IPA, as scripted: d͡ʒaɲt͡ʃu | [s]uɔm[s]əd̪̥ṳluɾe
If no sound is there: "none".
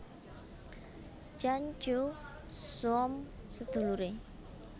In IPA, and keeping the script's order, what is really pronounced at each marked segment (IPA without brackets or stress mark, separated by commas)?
s, s